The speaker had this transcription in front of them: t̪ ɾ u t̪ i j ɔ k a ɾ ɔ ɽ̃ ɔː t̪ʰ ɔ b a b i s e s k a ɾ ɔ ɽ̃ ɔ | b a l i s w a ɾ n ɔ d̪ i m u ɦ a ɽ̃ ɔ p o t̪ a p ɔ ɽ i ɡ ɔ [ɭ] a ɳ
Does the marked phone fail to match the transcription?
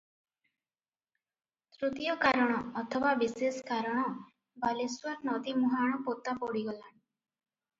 yes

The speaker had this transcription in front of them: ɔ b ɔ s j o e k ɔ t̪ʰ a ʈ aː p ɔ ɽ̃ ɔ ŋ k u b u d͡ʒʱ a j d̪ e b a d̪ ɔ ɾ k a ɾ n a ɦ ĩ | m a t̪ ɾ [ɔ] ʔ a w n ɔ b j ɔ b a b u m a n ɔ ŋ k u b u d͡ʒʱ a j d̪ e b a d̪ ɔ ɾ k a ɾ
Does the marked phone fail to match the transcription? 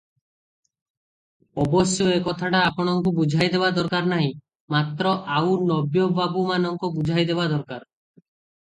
no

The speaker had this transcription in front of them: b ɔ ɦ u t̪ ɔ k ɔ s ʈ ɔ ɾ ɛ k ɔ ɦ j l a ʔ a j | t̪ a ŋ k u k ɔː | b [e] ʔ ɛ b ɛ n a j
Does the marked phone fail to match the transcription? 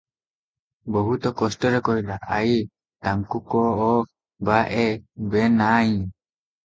yes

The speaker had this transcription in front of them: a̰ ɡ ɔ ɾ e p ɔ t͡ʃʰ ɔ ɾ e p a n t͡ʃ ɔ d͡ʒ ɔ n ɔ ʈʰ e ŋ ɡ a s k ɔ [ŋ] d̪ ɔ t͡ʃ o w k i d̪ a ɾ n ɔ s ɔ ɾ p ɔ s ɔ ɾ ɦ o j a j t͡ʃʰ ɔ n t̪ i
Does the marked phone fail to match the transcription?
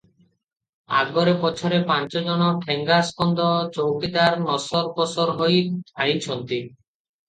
yes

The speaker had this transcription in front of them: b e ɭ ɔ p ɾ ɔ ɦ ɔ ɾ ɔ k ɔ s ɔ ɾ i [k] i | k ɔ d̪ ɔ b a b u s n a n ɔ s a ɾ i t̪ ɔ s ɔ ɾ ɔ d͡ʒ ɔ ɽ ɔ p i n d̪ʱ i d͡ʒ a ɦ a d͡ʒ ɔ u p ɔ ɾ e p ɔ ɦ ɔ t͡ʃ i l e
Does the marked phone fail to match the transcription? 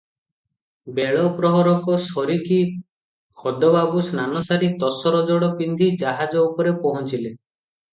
no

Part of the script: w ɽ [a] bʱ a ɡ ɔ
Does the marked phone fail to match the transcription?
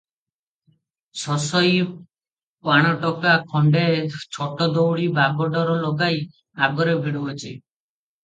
yes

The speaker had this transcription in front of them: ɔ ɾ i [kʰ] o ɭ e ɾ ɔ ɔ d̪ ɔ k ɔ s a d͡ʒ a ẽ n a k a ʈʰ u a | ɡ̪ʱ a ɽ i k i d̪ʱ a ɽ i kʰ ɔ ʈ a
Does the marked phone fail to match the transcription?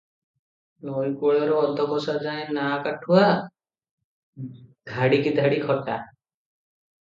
yes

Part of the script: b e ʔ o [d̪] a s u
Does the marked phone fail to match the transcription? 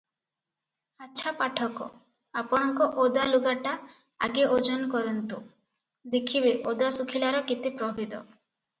no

